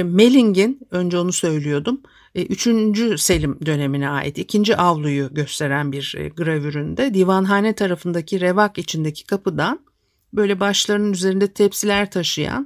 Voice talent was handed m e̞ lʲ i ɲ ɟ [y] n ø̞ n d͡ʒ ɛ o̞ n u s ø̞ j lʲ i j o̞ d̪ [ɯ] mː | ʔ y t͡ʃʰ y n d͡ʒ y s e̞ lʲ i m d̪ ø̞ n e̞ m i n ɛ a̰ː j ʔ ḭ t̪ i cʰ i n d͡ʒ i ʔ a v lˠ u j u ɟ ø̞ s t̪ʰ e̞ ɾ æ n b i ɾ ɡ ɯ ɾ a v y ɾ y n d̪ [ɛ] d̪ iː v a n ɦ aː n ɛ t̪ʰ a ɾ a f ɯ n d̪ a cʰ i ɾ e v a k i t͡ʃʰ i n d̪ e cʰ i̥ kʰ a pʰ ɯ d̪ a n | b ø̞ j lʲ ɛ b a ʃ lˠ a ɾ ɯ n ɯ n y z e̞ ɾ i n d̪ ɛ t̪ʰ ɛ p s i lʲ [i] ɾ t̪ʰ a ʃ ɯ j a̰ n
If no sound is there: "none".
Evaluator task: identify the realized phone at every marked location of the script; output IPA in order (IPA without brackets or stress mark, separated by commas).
i, u, ɛ, æ